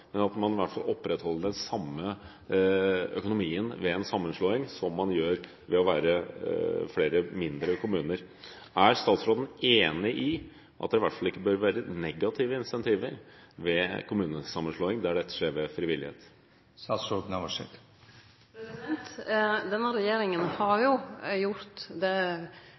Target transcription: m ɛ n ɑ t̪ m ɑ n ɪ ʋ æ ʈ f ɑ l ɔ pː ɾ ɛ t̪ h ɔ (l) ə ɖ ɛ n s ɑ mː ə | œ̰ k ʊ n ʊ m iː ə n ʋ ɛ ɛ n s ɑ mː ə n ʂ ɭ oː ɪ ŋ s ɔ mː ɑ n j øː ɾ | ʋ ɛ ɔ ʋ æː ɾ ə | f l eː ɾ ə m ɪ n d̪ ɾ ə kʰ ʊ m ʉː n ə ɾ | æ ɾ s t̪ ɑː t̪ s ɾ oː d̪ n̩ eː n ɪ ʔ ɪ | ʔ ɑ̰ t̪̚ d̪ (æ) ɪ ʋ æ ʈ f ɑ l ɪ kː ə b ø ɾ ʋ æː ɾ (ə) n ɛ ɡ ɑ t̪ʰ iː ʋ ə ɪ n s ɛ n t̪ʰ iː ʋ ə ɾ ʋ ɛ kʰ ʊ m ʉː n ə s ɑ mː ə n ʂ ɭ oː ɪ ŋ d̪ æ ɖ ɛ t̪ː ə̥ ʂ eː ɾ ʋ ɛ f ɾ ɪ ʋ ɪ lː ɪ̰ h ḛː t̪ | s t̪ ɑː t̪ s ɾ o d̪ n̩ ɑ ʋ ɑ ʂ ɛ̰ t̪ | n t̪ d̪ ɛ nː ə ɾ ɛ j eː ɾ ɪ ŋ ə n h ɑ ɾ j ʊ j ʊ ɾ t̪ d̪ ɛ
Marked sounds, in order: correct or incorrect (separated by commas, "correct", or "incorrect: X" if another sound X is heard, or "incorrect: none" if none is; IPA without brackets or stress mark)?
incorrect: lː, incorrect: ɛ, correct